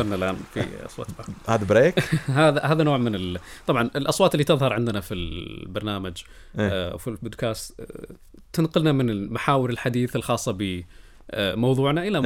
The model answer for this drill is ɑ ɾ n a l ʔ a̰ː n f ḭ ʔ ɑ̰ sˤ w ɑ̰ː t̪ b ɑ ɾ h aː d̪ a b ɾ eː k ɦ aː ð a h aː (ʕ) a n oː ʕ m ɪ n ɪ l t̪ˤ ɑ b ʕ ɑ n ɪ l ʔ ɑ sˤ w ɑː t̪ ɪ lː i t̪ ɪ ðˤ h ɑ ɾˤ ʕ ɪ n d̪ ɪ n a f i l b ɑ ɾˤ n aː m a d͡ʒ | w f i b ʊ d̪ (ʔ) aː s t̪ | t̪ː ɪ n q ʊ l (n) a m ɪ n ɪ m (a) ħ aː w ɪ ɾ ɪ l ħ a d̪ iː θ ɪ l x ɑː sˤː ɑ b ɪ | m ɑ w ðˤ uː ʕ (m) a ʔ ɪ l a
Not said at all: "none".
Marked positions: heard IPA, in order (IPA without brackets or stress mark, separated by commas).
ð, k, n, a, n